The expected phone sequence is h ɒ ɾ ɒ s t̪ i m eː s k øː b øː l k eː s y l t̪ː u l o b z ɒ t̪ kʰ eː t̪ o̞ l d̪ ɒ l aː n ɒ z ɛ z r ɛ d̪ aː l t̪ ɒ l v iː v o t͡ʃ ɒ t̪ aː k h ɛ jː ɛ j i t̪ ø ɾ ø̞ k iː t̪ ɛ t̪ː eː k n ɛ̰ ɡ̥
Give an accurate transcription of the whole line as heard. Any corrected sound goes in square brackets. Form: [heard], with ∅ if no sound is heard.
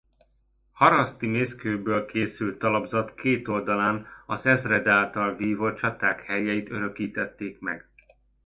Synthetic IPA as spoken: h ɒ ɾ ɒ s t̪ i m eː s k øː b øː l k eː s y l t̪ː [ɒ] l [ɒ] b z ɒ t̪ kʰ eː t̪ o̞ l d̪ ɒ l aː n ɒ z ɛ z r ɛ d̪ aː l t̪ ɒ l v iː v o t͡ʃ ɒ t̪ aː k h ɛ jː ɛ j i t̪ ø ɾ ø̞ k iː t̪ ɛ t̪ː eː k [m] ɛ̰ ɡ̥